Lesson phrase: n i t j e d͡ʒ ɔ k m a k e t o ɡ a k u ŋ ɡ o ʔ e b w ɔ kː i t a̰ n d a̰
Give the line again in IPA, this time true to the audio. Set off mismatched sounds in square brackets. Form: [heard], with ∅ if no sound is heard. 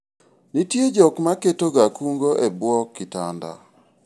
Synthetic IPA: n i t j e d͡ʒ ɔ k m a k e t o ɡ a k u ŋ ɡ o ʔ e b w ɔ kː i t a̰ n d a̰